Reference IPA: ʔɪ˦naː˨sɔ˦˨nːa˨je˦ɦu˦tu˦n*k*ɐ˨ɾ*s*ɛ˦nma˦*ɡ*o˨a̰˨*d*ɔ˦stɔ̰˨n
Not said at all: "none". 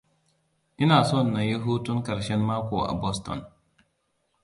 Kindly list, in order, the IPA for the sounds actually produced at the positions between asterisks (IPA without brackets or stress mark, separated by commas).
k, ʃ, k, b